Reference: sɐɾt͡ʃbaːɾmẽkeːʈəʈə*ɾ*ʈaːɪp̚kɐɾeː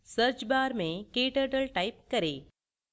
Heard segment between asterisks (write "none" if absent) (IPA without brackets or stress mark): l